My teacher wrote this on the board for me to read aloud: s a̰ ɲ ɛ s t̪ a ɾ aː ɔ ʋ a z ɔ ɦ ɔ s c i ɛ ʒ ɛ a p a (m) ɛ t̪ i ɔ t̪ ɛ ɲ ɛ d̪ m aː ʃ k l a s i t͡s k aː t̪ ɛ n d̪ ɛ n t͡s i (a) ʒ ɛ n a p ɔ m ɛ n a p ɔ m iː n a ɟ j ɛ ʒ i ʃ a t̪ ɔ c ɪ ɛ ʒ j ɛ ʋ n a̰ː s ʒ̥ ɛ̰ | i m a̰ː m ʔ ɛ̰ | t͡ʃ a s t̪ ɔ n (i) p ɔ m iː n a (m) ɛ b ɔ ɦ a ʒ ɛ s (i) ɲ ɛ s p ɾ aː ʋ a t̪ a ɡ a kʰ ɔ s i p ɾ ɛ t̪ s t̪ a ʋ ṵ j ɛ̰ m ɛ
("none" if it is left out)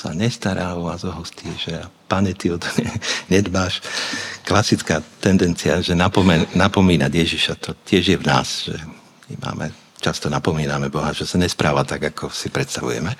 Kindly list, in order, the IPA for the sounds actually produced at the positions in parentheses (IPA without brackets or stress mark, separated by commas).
ɲ, a, a, m, a